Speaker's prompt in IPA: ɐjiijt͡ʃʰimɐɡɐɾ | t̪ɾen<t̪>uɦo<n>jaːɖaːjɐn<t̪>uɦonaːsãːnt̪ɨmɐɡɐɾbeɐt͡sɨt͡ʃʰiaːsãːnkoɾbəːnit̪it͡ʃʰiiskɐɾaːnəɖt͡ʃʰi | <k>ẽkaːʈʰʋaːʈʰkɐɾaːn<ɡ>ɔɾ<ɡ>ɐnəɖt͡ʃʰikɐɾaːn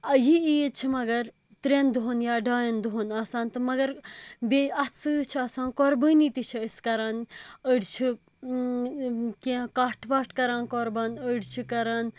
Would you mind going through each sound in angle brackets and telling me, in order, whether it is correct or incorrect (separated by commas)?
incorrect, correct, incorrect, correct, incorrect, incorrect